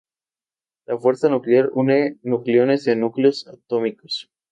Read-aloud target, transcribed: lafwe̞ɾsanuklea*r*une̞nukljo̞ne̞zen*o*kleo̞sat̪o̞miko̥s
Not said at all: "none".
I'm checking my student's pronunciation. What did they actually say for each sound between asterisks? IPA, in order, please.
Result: ɾ, u

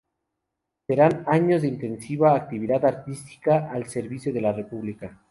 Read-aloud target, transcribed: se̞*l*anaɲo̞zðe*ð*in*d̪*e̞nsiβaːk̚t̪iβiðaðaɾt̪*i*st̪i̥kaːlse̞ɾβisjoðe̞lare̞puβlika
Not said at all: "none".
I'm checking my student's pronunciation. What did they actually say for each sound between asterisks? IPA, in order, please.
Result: ɾ, none, t̪, i

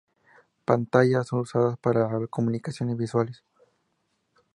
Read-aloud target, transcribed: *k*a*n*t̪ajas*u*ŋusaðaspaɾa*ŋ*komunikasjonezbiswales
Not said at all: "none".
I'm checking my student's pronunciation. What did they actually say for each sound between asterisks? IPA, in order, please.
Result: p, n, o, none

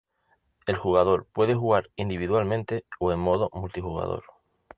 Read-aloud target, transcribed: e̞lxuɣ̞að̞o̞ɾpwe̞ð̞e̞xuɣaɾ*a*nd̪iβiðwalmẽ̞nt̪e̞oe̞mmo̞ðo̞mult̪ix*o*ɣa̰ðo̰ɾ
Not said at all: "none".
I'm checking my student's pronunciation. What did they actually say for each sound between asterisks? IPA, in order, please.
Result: i, u

